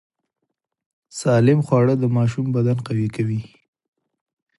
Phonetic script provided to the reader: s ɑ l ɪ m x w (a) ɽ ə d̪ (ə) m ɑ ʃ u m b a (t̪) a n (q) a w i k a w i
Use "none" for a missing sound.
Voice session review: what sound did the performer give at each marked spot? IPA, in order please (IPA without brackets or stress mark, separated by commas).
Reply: ɑ, ə, d̪, q